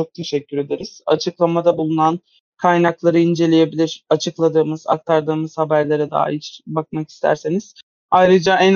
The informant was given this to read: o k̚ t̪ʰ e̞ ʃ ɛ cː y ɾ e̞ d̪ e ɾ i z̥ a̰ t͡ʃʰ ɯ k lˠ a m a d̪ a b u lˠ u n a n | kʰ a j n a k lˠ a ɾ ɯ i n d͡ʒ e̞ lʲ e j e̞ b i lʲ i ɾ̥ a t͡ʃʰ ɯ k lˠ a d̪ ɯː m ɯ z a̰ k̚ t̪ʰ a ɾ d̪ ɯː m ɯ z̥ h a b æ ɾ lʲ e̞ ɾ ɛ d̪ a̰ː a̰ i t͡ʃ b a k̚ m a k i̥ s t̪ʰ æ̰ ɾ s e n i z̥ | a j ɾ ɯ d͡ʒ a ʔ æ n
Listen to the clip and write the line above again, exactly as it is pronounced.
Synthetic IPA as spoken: o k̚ t̪ʰ e̞ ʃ ɛ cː y ɾ e̞ d̪ e ɾ i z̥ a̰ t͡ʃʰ ɯ k lˠ a m a d̪ a b u lˠ u n a n | kʰ a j n a k lˠ a ɾ ɯ i n d͡ʒ e̞ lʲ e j e̞ b i lʲ i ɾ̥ a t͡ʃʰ ɯ k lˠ a d̪ ɯː m ɯ z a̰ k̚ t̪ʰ a ɾ d̪ ɯː m ɯ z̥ h a b æ ɾ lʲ e̞ ɾ ɛ d̪ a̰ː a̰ i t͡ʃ b a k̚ m a k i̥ s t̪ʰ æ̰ ɾ s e n i z̥ | a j ɾ ɯ d͡ʒ a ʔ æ n